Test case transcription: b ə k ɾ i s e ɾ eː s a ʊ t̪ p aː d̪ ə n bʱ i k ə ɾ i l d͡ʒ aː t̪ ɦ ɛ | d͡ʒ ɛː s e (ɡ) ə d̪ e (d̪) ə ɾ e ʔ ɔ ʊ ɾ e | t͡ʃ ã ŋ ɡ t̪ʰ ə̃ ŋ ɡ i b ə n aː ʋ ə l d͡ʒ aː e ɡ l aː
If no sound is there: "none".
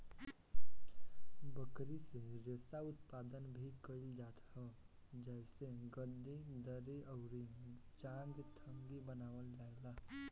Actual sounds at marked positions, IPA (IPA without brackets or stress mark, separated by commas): ɡ, d̪